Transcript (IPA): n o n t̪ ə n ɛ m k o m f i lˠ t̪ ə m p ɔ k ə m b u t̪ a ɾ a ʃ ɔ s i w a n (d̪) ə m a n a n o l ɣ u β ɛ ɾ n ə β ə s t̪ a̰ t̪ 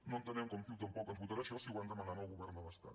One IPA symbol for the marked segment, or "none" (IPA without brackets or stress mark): d̪